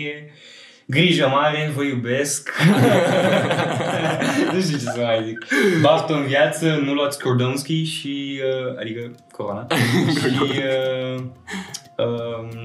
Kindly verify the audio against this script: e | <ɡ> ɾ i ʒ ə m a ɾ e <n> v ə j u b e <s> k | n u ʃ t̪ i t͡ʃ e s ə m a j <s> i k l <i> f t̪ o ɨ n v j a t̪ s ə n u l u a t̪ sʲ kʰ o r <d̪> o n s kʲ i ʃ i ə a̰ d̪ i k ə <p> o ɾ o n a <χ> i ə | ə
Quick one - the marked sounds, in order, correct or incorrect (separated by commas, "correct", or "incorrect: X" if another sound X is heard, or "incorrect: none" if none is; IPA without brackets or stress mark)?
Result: correct, correct, correct, incorrect: z, incorrect: a, correct, incorrect: k, incorrect: ʃ